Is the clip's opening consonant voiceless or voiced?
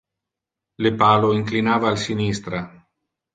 voiced